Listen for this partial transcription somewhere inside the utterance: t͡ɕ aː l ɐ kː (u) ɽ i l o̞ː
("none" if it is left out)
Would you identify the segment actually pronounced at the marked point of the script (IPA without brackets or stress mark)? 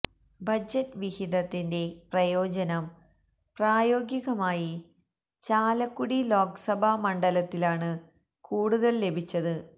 u